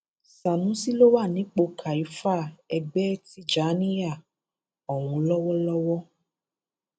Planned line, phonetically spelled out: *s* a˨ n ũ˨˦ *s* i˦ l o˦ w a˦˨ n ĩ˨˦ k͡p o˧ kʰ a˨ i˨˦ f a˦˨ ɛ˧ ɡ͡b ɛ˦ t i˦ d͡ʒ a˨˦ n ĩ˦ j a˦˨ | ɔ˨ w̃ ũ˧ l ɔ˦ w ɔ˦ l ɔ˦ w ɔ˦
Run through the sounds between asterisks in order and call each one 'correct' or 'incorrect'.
correct, correct

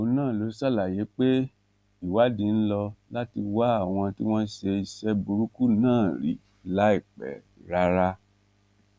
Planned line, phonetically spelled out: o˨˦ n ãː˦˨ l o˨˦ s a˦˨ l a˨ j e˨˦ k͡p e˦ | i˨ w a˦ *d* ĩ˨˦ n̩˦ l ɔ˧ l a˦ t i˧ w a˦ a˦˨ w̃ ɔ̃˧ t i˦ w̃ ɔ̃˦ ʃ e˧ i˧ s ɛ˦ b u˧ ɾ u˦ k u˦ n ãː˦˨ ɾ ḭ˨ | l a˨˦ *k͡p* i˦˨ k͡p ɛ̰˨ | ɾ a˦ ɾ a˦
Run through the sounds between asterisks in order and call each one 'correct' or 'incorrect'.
correct, incorrect: none

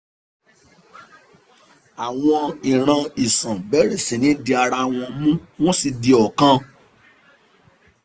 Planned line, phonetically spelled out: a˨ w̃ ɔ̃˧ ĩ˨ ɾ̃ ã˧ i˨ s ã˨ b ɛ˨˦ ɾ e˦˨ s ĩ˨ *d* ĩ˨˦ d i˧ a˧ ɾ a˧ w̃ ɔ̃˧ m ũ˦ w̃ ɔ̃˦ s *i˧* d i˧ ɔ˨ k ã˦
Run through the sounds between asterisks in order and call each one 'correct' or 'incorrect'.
incorrect: n, correct

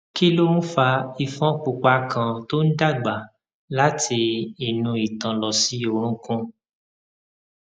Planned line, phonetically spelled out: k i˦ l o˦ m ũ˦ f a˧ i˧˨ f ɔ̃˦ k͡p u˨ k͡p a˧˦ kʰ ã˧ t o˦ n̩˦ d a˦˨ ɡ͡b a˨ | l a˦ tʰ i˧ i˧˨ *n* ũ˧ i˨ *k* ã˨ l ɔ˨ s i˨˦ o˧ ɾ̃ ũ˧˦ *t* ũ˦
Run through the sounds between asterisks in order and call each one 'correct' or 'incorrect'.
correct, incorrect: t, incorrect: k

